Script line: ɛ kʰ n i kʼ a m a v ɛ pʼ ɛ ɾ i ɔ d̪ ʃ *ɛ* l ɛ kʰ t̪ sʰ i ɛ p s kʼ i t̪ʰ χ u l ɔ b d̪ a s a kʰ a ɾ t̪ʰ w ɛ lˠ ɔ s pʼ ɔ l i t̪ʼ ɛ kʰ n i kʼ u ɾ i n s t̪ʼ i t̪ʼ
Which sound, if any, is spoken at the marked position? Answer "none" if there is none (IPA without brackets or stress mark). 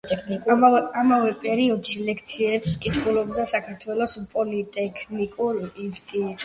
i